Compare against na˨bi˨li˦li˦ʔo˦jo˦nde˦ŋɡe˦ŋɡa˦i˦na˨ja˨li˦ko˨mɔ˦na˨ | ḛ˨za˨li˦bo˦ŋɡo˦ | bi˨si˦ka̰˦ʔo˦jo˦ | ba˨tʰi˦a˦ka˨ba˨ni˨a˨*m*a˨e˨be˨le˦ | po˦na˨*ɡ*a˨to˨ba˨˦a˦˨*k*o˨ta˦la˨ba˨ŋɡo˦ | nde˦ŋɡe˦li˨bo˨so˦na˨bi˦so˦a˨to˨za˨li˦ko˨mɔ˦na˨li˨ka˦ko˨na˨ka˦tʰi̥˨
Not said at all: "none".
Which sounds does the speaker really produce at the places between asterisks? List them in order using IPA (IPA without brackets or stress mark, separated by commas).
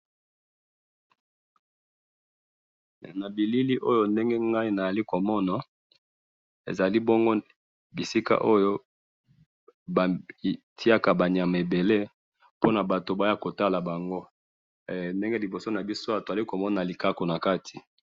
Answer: m, b, k